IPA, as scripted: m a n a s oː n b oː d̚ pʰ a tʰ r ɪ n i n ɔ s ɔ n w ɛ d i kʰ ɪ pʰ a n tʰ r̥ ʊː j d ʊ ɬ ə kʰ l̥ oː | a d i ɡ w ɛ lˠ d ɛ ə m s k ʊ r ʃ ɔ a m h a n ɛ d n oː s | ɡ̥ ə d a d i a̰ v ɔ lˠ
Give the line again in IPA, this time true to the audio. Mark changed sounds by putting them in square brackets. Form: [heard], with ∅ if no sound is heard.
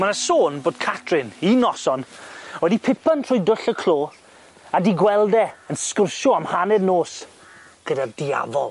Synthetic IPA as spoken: m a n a s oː n b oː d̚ [kʰ] a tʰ r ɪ n i n ɔ s ɔ n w ɛ d i [pʰ] ɪ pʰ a n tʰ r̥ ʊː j d ʊ ɬ ə kʰ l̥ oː | a d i ɡ w ɛ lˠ d ɛ ə [n] s k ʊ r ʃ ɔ a m h a n ɛ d n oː s | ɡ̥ ə d a d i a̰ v ɔ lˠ

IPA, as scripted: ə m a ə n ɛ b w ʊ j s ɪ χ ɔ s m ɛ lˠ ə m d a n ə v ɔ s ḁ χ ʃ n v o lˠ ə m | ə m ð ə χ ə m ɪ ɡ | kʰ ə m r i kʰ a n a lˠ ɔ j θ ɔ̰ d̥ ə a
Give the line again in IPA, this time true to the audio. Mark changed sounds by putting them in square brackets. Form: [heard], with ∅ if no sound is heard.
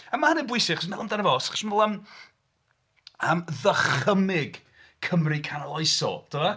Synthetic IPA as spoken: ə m a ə n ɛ b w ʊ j s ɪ χ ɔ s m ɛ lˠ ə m d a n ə v ɔ s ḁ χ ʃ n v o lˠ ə m | ə m ð ə χ ə m ɪ ɡ | kʰ ə m r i kʰ a n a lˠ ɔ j [s] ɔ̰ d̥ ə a

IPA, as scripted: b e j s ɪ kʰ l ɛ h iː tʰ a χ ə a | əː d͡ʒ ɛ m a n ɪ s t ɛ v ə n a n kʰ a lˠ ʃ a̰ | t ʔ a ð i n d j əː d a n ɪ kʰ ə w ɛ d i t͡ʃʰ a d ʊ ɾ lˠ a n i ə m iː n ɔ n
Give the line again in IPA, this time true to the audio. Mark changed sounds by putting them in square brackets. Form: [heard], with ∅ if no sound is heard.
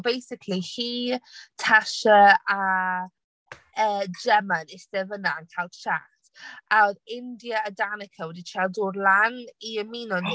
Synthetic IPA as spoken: b e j s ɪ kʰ l [i] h iː tʰ a [ʃ] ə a | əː d͡ʒ ɛ m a n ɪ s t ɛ v ə n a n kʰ a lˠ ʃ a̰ | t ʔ a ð [ɪ] n d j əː d a n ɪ kʰ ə w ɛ d i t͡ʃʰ a d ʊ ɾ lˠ a n i ə m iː n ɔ n

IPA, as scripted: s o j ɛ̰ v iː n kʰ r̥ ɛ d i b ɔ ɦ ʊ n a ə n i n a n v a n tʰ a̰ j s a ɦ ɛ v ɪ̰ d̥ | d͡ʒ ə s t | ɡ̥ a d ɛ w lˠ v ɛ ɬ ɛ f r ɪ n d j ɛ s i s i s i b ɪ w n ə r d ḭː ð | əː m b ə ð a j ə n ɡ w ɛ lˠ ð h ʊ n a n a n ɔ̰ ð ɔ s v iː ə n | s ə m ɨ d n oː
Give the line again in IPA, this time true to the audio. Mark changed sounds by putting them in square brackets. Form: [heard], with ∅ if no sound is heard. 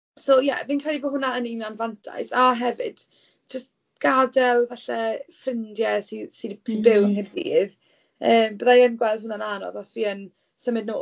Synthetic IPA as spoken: s o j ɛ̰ v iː n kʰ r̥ ɛ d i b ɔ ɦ ʊ n a ə n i n a n v a n tʰ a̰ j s a ɦ ɛ v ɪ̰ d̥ | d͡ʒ ə s t | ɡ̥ a d ɛ [∅] lˠ v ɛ ɬ ɛ f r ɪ n d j ɛ s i s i s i b ɪ w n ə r d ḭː ð | əː m b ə ð a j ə n ɡ w ɛ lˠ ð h ʊ n a n a n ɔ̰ ð ɔ s v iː ə n | s ə m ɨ d n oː

